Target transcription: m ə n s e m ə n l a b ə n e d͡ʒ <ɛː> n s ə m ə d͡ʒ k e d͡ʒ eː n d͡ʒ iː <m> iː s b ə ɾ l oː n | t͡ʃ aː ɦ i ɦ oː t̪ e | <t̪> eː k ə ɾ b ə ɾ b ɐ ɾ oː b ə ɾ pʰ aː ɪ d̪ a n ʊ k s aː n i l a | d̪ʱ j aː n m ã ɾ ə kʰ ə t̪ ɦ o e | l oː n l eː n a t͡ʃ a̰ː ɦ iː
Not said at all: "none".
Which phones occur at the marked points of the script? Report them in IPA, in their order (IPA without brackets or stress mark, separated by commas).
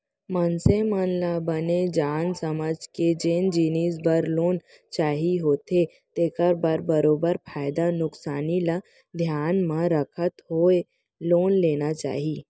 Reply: aː, n, t̪